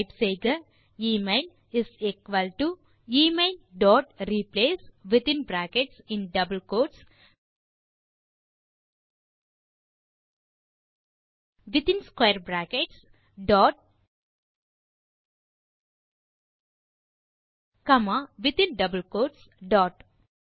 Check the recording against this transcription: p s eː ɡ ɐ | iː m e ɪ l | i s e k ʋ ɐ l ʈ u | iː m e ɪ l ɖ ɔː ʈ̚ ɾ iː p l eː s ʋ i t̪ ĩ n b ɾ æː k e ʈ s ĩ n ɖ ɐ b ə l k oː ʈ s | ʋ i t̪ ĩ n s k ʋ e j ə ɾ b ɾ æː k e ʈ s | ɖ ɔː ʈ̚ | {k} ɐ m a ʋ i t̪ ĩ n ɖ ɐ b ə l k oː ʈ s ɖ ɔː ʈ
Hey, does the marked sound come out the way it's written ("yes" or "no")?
yes